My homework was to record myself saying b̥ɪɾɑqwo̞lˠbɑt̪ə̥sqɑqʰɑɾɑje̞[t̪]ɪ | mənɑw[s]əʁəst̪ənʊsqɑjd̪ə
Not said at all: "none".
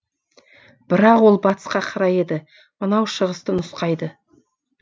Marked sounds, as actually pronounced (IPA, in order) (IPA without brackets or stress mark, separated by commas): d̪, ʃ